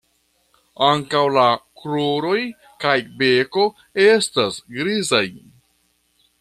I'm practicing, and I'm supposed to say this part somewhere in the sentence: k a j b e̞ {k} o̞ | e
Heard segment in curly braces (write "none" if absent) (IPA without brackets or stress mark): k